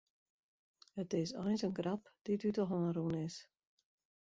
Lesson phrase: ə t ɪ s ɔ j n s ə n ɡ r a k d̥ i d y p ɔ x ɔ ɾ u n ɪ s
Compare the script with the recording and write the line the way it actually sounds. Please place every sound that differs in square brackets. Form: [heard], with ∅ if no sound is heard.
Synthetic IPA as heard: ə t ɪ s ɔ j n s ə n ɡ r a [p] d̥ i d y [t] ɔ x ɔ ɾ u n ɪ s